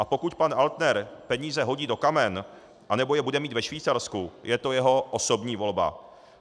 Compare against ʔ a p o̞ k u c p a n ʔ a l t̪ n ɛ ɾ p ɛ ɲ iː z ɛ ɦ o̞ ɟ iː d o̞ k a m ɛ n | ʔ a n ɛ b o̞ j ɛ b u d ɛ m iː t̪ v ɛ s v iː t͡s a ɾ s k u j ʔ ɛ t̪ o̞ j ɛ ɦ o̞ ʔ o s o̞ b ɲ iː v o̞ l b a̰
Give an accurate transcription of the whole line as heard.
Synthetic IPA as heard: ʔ a p o̞ k u c p a n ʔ a l t̪ n ɛ ɾ p ɛ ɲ iː z ɛ ɦ o̞ ɟ iː d o̞ k a m ɛ n | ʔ a n ɛ b o̞ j ɛ b u d ɛ m iː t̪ v ɛ ʃ v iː t͡s a ɾ s k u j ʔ ɛ t̪ o̞ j ɛ ɦ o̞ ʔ o s o̞ b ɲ iː v o̞ l b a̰